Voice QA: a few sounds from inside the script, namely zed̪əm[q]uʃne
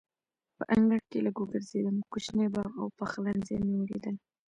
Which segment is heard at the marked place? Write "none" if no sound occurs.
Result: k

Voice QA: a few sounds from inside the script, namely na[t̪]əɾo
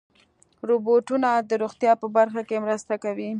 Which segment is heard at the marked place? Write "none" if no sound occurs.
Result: d̪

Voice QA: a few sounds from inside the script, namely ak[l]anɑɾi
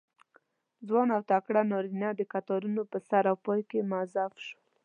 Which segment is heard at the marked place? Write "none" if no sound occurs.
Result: ɽ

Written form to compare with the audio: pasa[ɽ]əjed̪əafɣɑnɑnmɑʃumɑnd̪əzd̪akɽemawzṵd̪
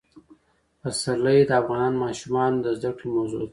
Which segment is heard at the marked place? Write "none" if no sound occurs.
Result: l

